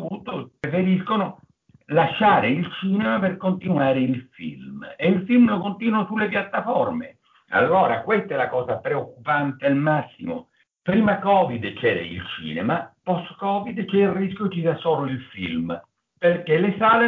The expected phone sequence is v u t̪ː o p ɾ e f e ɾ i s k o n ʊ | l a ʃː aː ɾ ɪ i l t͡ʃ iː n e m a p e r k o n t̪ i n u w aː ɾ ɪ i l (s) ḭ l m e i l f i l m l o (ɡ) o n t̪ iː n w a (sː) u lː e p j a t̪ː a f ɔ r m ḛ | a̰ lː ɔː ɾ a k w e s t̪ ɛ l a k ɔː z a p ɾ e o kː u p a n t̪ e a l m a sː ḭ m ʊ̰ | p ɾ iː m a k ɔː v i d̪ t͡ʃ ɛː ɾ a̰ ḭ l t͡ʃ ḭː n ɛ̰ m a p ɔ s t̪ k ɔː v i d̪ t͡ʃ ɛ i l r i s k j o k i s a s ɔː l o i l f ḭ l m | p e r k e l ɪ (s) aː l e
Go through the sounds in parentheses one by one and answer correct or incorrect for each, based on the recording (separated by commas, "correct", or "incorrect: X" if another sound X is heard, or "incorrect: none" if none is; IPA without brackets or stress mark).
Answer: incorrect: f, incorrect: k, incorrect: s, correct